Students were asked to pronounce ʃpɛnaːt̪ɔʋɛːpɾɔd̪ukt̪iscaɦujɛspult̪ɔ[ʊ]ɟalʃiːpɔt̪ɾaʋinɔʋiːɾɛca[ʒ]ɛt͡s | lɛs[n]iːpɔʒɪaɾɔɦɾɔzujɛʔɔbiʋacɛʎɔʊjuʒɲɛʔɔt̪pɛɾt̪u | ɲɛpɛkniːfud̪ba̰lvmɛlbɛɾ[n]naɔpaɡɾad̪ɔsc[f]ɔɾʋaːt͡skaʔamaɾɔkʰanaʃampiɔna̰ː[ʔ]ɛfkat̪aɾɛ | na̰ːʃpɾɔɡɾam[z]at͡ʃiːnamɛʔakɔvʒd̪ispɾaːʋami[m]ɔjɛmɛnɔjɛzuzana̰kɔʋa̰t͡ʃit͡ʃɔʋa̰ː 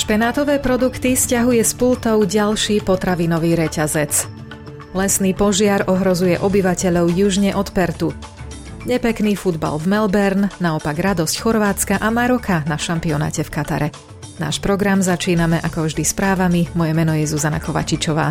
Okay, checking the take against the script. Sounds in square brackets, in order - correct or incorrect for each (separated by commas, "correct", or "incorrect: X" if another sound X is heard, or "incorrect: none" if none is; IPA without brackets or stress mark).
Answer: correct, incorrect: z, correct, correct, incorrect: x, incorrect: c, correct, correct